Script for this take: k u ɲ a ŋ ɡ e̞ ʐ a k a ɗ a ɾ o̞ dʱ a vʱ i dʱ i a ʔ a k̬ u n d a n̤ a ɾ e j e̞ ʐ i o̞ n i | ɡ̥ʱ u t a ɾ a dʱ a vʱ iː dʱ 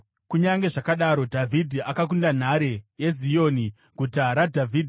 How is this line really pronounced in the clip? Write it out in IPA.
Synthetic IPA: k u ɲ a ŋ ɡ e̞ ʐ a k a ɗ a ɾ o̞ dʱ a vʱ i dʱ i a k a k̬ u n d a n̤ a ɾ e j e̞ z i o̞ n i | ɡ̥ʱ u t a ɾ a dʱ a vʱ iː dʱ